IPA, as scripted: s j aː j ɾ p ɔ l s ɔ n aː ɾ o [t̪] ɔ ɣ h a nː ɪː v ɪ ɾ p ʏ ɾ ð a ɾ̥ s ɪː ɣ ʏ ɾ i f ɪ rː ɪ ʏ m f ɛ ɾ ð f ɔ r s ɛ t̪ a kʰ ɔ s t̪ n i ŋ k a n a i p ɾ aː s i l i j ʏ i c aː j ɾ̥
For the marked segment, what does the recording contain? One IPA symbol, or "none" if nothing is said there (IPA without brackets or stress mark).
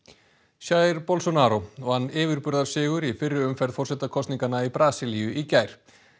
none